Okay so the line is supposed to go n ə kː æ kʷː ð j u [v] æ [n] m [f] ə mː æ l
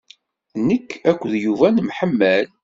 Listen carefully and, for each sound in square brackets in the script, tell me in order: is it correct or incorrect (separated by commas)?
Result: correct, correct, incorrect